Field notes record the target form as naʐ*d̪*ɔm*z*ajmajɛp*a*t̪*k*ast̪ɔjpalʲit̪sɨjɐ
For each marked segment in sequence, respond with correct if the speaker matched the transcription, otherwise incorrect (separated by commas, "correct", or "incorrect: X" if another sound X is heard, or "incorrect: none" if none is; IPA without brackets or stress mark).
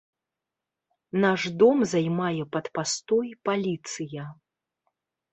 correct, correct, incorrect: ɐ, incorrect: p